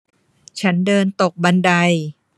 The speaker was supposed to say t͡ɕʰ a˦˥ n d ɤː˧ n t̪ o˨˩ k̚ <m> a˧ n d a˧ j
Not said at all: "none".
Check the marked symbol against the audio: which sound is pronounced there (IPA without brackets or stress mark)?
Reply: b